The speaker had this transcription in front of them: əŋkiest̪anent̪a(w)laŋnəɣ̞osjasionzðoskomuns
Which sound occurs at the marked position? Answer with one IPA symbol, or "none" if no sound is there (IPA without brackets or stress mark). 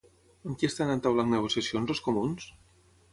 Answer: w